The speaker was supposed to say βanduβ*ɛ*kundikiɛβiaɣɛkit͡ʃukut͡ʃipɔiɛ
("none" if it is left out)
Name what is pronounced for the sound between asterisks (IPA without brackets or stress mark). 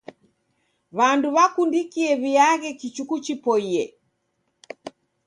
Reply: a